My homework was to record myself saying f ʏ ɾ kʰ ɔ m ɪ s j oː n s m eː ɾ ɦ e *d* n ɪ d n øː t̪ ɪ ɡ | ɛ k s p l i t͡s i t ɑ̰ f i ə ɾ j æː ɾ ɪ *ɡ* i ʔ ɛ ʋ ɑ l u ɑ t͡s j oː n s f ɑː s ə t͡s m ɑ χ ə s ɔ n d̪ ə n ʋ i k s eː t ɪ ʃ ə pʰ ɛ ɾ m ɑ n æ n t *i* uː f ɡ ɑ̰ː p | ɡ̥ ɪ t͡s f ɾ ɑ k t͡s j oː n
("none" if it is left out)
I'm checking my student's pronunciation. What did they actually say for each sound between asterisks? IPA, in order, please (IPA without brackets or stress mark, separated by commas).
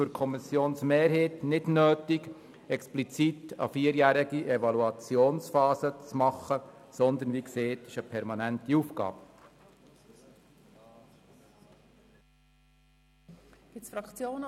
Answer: t, ɡ, i